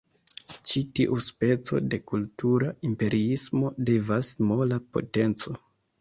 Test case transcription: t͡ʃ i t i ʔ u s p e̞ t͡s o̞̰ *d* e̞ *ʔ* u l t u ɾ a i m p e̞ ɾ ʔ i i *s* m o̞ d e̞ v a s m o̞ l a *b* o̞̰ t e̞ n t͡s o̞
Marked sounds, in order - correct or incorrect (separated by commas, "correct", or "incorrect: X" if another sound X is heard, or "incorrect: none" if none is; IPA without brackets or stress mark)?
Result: correct, incorrect: k, correct, incorrect: p